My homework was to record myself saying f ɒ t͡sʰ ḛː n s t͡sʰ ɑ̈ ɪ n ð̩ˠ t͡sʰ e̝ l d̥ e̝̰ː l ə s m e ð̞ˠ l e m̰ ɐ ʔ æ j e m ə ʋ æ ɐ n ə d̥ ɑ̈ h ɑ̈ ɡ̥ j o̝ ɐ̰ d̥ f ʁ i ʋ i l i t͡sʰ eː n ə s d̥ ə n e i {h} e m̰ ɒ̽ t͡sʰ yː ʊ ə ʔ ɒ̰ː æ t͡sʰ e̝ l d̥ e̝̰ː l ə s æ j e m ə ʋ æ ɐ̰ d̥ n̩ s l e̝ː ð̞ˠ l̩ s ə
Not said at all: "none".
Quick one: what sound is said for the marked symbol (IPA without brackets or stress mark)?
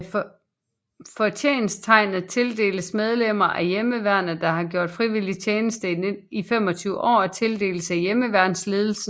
f